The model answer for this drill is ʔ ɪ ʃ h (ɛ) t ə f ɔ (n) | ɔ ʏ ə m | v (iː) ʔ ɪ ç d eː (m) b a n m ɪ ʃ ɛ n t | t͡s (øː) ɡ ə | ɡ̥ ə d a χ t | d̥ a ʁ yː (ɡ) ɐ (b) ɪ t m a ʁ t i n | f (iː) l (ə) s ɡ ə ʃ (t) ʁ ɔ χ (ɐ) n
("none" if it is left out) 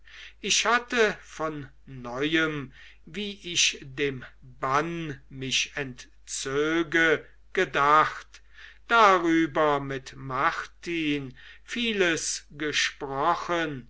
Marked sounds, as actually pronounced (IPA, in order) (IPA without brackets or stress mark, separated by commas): a, nː, iː, m, øː, b, m, iː, ə, p, ə